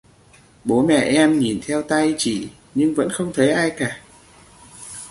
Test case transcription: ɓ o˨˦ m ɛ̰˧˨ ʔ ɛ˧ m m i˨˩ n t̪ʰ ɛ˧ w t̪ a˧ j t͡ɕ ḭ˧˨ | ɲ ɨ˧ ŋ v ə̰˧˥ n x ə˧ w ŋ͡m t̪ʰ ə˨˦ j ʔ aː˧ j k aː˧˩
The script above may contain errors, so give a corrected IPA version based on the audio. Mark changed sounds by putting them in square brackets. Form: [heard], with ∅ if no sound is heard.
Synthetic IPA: ɓ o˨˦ m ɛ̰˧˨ ʔ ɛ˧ m [ɲ] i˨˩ n t̪ʰ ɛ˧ w t̪ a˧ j t͡ɕ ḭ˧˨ | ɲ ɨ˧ ŋ v ə̰˧˥ n x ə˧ w ŋ͡m t̪ʰ ə˨˦ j ʔ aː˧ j k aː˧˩